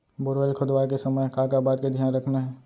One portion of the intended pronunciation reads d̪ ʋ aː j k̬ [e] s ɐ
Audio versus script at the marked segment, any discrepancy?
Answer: no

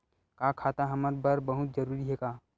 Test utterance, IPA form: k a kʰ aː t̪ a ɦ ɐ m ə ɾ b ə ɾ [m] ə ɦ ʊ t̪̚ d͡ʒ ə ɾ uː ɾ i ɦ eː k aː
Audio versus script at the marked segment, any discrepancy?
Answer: yes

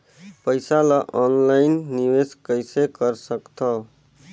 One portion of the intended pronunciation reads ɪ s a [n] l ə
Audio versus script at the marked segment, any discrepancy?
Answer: yes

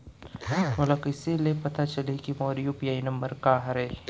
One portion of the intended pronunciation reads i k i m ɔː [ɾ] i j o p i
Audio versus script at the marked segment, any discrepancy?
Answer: no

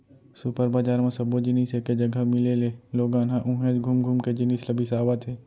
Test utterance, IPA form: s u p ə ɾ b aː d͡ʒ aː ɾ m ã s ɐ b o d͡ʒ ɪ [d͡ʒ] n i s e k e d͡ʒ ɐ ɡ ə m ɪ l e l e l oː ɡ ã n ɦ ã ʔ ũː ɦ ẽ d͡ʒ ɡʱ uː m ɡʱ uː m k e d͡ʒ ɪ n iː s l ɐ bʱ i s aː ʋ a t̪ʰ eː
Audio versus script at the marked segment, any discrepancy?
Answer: yes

